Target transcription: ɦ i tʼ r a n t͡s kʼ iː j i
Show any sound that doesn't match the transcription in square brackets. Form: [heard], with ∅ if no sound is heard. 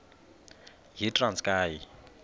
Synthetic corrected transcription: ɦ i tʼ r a n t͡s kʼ [aː] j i